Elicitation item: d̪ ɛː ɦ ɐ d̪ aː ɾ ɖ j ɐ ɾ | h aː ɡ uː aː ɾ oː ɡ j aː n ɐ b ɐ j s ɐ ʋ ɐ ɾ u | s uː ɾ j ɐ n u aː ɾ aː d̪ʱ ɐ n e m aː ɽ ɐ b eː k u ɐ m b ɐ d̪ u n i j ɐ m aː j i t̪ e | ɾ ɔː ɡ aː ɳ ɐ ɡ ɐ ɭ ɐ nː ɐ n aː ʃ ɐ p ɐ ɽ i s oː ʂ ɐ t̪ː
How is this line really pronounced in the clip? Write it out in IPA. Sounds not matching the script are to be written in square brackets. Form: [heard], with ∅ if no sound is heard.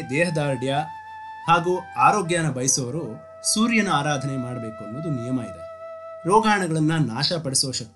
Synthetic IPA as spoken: d̪ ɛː ɦ ɐ d̪ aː ɾ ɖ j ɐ [∅] | h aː ɡ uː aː ɾ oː ɡ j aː n ɐ b ɐ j s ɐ ʋ ɐ ɾ u | s uː ɾ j ɐ n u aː ɾ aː d̪ʱ ɐ n e m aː ɽ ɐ b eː k u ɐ [n] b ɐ d̪ u n i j ɐ m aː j i [d̪] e | ɾ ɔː ɡ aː ɳ ɐ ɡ ɐ ɭ ɐ nː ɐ n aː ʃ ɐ p ɐ ɽ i s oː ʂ ɐ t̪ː